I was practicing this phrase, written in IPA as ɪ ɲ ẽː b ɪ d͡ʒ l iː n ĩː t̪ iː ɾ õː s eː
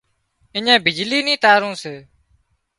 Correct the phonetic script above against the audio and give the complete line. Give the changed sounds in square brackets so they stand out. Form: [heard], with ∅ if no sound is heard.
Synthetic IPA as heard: ɪ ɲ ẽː b ɪ d͡ʒ l iː n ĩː t̪ [aː] ɾ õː s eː